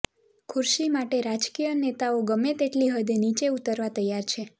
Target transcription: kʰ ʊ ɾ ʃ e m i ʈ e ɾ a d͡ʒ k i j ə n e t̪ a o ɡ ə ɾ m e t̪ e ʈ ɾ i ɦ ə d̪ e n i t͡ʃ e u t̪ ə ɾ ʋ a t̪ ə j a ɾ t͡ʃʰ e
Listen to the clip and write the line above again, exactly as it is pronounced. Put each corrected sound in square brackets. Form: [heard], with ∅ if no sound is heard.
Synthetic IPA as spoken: kʰ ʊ ɾ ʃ [i] m [a] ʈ e ɾ a d͡ʒ k i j ə n e t̪ a o ɡ ə [∅] m e t̪ e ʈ [l] i ɦ ə d̪ e n i t͡ʃ e u t̪ ə ɾ ʋ a t̪ ə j a ɾ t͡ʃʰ e